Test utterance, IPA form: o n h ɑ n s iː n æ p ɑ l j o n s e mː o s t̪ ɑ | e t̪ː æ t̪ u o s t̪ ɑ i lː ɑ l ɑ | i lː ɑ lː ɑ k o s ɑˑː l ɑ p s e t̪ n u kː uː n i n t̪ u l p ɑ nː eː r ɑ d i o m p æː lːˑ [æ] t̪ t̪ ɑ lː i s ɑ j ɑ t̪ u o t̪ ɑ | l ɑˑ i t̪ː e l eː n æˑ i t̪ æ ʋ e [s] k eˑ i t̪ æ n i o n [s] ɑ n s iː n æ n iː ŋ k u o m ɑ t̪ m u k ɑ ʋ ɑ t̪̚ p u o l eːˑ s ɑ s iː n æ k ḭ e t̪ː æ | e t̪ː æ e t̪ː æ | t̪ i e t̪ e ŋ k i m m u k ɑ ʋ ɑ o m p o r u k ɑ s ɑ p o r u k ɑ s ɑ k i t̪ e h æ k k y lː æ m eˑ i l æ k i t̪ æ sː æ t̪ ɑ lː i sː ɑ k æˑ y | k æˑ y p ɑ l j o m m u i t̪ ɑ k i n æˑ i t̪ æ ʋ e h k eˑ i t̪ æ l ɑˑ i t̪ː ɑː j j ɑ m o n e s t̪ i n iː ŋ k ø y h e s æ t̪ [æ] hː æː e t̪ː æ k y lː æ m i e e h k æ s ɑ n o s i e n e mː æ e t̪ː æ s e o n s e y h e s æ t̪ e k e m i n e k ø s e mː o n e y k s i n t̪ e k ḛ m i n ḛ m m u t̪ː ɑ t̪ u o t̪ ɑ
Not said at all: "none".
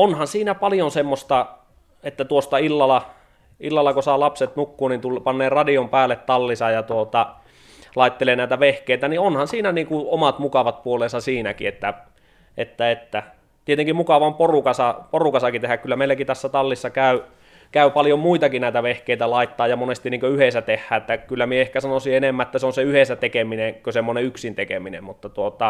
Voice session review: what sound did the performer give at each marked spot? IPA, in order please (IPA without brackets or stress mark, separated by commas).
e, h, h, e